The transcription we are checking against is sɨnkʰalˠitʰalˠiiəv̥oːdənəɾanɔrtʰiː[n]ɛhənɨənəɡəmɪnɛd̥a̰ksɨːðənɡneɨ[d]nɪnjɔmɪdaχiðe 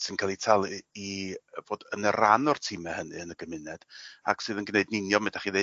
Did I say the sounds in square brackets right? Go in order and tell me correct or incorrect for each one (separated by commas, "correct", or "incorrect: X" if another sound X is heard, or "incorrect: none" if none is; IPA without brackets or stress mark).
incorrect: m, correct